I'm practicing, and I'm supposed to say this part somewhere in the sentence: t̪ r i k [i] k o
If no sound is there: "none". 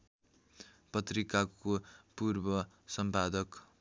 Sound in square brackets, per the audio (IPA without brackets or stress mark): a